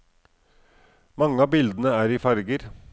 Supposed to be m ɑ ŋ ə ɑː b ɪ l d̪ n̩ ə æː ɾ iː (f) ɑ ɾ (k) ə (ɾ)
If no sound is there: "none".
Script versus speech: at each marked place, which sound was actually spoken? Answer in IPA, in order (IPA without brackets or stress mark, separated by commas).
f, ɡ, ɾ